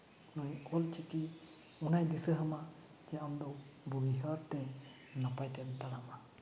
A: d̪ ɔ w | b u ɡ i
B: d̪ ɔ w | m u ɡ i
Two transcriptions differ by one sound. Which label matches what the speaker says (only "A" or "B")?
A